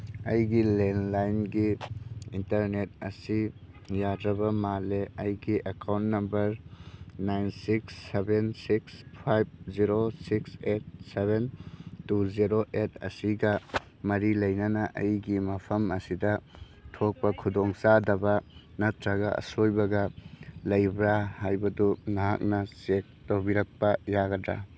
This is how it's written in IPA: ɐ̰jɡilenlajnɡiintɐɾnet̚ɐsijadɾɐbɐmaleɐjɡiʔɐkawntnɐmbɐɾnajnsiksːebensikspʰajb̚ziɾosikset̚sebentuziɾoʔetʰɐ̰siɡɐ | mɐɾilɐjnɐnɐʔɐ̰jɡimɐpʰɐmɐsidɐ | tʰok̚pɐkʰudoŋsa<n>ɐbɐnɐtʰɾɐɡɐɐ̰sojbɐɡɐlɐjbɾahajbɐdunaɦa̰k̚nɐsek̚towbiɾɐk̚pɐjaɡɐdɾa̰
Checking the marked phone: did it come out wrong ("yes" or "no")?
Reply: yes